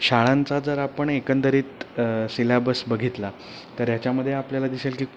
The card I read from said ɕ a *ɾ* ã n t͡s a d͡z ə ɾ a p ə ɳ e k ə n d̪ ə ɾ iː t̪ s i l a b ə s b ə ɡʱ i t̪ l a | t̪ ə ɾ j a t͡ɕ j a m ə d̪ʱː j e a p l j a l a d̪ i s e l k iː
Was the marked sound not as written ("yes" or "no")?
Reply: yes